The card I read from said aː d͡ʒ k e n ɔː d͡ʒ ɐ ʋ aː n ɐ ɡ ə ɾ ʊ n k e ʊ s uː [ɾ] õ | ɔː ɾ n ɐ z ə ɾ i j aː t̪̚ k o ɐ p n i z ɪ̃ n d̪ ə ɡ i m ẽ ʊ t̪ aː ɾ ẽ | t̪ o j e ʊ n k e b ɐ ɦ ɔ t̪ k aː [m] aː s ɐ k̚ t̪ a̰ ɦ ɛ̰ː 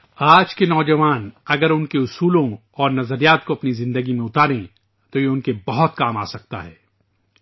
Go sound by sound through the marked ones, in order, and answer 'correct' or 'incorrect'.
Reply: incorrect: l, correct

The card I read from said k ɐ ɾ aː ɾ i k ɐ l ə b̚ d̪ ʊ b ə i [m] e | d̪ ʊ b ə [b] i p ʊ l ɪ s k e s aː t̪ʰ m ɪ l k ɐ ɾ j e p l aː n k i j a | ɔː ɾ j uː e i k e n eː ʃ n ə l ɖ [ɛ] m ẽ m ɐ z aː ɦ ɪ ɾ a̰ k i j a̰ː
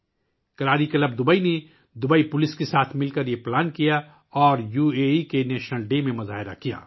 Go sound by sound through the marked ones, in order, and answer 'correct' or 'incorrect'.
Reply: incorrect: n, incorrect: none, incorrect: e

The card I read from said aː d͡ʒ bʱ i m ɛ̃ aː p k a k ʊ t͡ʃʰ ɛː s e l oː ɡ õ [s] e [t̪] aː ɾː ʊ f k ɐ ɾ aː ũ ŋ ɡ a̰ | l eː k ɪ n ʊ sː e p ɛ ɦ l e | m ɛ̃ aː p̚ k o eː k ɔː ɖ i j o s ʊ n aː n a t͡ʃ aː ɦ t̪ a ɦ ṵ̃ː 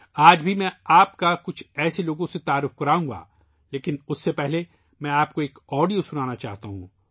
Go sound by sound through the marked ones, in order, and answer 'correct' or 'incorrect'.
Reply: correct, correct

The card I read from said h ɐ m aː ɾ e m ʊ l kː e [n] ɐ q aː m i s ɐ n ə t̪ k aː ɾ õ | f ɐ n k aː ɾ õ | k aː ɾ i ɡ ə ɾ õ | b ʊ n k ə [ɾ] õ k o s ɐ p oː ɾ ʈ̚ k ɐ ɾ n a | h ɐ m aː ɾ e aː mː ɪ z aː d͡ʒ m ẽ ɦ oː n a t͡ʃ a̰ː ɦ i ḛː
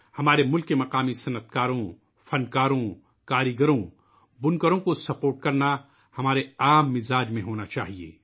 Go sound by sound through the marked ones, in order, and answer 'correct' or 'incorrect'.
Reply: incorrect: m, correct

